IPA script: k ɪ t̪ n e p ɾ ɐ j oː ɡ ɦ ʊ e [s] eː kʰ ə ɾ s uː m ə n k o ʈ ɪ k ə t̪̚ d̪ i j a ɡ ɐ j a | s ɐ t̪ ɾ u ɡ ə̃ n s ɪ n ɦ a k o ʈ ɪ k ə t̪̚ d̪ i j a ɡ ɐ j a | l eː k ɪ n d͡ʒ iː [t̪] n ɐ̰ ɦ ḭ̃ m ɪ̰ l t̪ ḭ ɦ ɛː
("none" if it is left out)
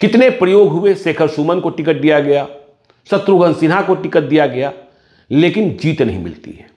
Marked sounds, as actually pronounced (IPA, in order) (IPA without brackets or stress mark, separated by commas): s, t̪